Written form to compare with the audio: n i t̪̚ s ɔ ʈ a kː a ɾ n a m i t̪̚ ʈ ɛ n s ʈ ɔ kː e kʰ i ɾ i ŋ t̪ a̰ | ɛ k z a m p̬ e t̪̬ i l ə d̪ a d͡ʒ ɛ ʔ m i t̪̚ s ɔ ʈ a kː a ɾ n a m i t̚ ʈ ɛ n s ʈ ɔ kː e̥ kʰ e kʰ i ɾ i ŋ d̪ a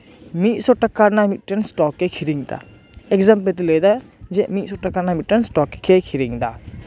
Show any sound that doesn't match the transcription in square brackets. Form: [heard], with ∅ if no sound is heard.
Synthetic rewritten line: [m] i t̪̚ s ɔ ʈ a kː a ɾ n a m i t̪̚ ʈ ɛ n s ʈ ɔ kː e kʰ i ɾ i ŋ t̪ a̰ | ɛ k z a m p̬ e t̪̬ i l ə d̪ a d͡ʒ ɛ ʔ m i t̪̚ s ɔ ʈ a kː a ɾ n a m i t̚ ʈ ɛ n s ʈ ɔ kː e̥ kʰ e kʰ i ɾ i ŋ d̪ a